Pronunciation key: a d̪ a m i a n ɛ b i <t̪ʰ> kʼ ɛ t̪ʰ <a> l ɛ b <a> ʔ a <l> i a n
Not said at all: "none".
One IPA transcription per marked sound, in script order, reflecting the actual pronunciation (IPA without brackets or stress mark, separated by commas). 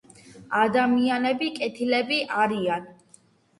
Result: none, i, i, ɾ